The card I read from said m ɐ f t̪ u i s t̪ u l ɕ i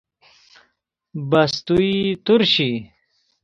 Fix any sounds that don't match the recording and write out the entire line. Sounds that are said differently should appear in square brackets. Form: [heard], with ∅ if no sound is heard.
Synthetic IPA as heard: [b] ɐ [s] t̪ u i [∅] t̪ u [ɾ] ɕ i